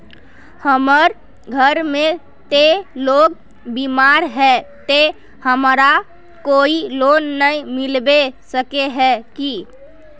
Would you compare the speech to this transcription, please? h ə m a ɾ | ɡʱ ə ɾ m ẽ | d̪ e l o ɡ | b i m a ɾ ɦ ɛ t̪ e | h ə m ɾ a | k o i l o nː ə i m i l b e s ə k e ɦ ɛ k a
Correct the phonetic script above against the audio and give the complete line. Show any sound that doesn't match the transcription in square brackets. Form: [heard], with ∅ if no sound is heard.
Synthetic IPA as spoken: h ə m [ə] ɾ | ɡʱ ə ɾ m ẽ | [t̪] e l o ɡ | b i m a ɾ ɦ ɛ t̪ e | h ə m ɾ a | k o i l o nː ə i m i l b e s ə k e ɦ ɛ k [i]